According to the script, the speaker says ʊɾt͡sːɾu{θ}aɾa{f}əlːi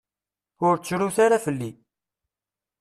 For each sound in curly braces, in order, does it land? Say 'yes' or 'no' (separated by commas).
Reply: yes, yes